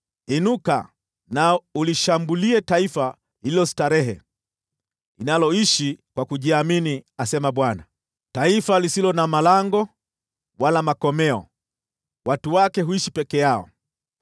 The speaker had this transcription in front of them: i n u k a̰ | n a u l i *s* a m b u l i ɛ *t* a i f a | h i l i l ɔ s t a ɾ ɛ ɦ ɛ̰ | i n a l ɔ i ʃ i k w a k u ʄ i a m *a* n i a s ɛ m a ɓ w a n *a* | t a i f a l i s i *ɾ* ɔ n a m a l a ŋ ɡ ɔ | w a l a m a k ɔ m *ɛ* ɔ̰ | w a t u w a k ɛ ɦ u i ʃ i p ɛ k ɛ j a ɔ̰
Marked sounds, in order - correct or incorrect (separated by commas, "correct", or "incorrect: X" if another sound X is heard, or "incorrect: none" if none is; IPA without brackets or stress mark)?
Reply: incorrect: ʃ, correct, incorrect: i, correct, incorrect: l, correct